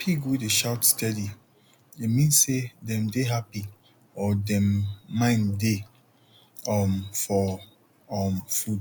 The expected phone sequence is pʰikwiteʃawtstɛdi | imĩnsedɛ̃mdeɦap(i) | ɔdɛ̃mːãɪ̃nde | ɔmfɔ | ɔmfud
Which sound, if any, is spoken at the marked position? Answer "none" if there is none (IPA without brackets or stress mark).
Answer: i